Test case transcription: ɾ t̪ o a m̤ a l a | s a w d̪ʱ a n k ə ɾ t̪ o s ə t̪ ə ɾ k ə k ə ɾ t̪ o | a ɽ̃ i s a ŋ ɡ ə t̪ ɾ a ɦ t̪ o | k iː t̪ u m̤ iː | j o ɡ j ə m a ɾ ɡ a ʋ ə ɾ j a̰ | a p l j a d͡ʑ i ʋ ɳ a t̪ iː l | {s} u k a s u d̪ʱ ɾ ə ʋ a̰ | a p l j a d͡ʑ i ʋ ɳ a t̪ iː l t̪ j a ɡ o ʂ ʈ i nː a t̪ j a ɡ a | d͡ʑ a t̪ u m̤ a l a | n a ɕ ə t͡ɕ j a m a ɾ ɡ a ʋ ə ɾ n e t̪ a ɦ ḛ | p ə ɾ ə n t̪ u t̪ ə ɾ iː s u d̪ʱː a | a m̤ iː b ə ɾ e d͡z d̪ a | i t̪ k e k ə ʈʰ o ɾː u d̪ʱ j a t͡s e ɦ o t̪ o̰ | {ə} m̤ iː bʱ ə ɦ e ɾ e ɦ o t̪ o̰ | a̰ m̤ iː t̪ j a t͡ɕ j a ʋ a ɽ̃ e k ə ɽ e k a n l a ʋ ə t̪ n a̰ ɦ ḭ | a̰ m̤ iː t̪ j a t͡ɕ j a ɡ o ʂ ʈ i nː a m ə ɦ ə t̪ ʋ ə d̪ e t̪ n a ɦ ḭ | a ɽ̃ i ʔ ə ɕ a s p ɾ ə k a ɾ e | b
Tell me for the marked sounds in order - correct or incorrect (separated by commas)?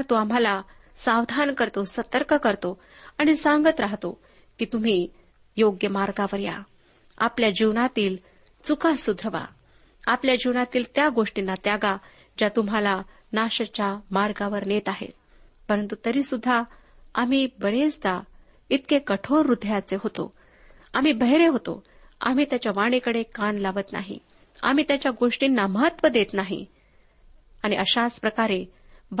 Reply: incorrect, incorrect